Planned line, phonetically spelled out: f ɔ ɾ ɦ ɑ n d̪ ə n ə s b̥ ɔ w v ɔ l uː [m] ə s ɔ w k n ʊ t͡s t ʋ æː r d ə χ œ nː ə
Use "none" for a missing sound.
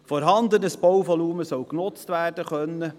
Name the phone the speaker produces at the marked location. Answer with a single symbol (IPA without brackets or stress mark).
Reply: m